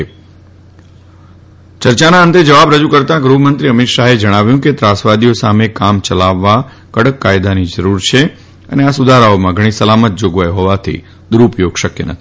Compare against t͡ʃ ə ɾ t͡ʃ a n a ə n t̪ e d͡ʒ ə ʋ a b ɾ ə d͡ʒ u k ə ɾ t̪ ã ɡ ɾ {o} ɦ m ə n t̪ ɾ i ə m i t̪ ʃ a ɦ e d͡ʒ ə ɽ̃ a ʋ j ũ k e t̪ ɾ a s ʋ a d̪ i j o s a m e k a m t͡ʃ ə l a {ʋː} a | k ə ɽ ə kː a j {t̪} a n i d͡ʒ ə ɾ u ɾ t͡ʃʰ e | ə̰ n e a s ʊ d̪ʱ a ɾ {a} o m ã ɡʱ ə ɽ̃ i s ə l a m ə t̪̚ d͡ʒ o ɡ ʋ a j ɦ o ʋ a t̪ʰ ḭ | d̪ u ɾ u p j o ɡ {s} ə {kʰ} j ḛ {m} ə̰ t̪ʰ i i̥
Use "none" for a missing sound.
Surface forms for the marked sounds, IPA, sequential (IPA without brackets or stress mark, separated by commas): u, ʋː, d̪, a, ʃ, k, n